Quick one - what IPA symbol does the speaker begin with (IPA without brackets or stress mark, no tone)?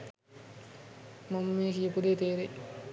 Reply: m